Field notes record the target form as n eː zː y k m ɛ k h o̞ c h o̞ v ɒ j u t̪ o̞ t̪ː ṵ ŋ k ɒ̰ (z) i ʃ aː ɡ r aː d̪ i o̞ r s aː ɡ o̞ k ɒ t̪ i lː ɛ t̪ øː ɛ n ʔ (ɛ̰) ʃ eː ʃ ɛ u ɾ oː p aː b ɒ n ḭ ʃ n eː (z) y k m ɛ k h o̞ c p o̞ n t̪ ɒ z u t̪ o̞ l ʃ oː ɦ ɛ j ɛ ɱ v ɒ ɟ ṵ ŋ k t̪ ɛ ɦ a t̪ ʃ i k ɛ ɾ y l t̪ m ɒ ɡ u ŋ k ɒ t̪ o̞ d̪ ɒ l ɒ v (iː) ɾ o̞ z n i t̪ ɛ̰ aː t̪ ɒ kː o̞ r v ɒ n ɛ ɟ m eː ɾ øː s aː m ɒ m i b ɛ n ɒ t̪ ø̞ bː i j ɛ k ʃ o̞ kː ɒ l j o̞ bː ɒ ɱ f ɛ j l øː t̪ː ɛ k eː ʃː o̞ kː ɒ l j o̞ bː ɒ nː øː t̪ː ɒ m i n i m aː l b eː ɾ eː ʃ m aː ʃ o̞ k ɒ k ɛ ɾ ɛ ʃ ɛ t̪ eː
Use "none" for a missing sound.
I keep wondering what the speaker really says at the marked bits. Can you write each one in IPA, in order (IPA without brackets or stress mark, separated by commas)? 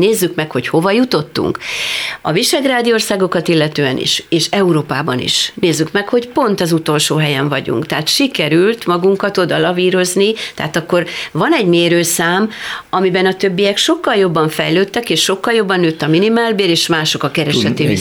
v, ḭ, zː, iː